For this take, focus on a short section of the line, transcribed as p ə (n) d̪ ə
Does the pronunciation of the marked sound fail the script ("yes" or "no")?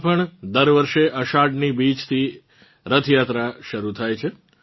yes